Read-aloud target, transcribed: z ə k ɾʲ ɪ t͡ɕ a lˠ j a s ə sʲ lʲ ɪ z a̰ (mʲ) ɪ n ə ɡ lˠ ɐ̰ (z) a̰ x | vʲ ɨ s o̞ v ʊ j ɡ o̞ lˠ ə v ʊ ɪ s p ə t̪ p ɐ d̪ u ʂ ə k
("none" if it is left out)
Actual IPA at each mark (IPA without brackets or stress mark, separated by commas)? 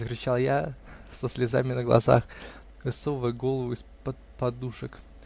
mʲ, z